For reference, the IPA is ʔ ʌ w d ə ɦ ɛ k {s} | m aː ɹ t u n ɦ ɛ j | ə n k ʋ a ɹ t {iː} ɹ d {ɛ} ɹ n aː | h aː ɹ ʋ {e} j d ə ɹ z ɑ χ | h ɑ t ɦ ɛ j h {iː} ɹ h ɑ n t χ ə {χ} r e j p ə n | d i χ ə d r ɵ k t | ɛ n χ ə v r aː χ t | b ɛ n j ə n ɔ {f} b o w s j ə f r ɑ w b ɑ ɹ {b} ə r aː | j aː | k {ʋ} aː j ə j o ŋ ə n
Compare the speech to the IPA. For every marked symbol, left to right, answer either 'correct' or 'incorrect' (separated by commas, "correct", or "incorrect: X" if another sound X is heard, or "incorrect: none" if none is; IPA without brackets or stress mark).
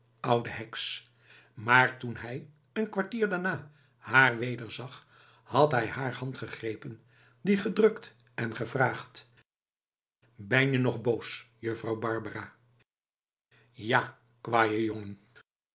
correct, correct, incorrect: a, correct, incorrect: aː, correct, incorrect: χ, correct, correct